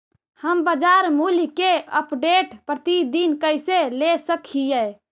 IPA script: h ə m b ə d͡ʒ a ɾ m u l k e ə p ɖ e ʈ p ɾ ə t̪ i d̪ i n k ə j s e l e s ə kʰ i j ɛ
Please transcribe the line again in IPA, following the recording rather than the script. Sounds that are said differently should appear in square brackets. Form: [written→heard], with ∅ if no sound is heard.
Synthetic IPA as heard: h ə m b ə d͡ʒ a ɾ m u l k e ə p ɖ e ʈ p ɾ ə t̪ i d̪ i n k ə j s e l e s ə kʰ i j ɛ